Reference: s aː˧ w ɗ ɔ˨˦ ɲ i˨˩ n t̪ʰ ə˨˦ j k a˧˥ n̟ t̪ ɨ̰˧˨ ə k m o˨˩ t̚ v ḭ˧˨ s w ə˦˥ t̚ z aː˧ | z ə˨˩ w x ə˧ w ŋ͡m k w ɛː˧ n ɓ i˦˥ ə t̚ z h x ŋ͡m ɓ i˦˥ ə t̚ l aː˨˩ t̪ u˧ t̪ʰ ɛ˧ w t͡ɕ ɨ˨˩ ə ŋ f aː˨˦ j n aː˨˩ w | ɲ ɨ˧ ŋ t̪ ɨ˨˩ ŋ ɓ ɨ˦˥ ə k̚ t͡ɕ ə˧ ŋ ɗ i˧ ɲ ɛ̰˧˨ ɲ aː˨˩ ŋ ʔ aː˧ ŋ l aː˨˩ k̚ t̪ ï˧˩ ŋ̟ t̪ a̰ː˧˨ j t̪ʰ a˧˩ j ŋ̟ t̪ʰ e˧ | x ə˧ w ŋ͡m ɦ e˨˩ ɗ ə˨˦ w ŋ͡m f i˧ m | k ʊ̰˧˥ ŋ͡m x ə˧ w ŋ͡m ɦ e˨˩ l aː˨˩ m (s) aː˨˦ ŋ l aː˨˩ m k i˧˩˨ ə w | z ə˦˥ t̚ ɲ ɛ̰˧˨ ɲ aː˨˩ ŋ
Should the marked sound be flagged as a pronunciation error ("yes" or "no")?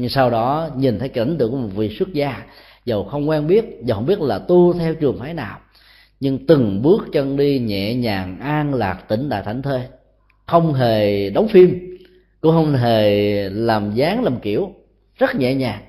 yes